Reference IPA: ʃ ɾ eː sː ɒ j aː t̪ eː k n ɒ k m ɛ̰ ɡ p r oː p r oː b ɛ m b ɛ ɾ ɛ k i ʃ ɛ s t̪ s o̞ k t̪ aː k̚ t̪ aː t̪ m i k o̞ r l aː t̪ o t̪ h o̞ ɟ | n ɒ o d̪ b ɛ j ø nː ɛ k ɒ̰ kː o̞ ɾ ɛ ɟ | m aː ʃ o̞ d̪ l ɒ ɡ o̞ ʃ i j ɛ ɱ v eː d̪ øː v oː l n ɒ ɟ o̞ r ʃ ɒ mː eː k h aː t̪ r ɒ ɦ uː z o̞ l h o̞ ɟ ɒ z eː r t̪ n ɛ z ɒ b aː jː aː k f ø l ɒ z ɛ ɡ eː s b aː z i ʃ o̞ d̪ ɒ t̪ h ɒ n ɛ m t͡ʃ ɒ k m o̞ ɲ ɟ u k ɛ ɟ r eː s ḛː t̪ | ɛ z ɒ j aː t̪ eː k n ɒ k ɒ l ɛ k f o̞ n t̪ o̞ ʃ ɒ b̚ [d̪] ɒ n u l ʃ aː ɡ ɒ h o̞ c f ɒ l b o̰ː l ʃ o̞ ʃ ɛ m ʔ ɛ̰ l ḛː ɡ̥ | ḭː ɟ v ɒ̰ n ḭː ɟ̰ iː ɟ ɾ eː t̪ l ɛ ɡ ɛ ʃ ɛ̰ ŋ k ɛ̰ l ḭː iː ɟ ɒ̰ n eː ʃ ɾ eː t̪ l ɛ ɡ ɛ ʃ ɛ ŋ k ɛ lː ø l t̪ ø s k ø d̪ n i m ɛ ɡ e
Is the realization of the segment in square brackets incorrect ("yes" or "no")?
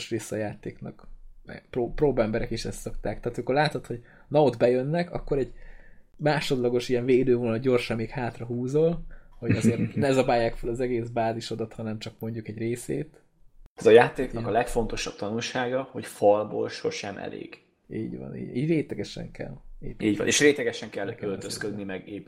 yes